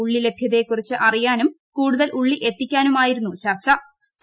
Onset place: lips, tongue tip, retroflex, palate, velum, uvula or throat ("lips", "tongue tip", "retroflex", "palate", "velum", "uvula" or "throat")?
retroflex